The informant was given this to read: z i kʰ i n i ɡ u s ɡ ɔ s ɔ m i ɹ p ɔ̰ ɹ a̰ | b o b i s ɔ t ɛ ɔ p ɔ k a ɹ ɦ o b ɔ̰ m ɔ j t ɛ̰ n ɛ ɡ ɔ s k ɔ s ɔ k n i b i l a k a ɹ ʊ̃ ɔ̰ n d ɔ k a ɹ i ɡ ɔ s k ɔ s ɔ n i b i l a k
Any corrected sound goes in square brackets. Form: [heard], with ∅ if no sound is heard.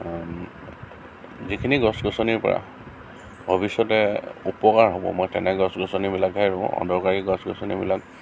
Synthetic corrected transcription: z i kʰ i n i ɡ [ɔ] s ɡ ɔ s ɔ [n] i ɹ p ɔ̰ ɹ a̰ | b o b i s ɔ t ɛ [u] p ɔ k a ɹ ɦ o b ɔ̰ m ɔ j t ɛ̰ n ɛ ɡ ɔ s [ɡ] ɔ s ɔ [∅] n i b i l a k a ɹ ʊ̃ ɔ̰ n d ɔ k a ɹ i ɡ ɔ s [ɡ] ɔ s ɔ n i b i l a k